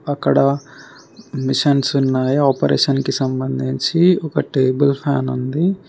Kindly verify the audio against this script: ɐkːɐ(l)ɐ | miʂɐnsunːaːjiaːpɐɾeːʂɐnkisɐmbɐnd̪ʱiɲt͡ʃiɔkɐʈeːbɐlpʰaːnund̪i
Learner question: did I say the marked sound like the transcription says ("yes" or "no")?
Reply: no